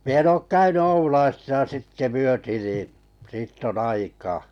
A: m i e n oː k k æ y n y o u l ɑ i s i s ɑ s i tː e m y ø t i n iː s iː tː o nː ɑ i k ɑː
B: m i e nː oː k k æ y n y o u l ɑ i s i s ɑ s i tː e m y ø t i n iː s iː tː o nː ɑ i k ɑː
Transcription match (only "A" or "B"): A